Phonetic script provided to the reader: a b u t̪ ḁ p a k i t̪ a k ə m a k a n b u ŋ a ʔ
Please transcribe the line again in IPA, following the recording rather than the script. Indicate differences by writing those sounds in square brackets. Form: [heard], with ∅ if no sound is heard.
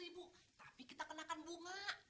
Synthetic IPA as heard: [i] b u t̪ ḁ p [i] k i t̪ a k ə [n] a k a n b u ŋ a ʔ